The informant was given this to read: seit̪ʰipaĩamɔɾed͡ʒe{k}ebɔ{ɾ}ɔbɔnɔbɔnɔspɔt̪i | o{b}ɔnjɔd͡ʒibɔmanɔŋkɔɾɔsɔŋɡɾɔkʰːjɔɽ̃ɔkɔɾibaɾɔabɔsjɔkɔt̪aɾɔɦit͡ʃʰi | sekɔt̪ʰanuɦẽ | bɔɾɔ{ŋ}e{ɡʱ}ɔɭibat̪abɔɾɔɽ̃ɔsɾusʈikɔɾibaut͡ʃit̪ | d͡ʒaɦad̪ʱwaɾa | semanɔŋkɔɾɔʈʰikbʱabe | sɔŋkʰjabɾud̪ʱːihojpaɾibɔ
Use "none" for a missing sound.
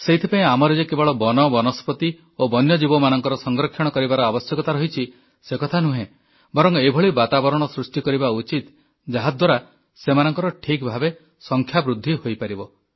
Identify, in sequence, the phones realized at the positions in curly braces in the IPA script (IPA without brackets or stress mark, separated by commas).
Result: k, ɭ, b, ŋ, bʱ